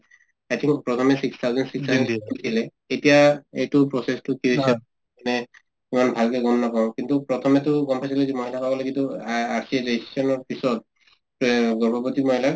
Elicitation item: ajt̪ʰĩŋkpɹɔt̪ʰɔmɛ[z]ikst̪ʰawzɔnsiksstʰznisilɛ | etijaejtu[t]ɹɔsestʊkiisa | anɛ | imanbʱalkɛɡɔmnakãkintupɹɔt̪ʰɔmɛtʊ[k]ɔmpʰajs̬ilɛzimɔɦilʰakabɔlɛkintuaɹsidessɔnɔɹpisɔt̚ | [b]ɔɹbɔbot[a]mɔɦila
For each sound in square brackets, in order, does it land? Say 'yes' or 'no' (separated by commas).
no, no, no, no, no